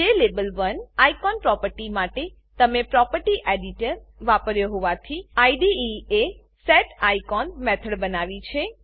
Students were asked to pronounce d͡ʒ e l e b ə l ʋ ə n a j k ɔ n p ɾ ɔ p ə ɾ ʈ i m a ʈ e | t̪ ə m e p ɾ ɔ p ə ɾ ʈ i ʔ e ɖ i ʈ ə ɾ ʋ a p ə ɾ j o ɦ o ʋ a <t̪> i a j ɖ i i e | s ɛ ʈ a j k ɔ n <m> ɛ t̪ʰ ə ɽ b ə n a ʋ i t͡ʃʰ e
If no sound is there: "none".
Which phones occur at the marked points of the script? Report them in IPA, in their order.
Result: t̪ʰ, m

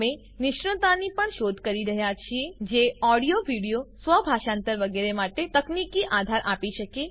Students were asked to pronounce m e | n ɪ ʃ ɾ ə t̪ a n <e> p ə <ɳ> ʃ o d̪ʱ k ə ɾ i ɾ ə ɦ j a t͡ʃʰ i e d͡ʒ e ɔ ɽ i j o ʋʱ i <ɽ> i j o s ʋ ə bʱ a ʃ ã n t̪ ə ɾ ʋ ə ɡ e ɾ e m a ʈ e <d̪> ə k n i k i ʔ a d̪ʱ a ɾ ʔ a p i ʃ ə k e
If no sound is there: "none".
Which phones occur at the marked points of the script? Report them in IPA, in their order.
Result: i, ɳ, ɽ, t̪

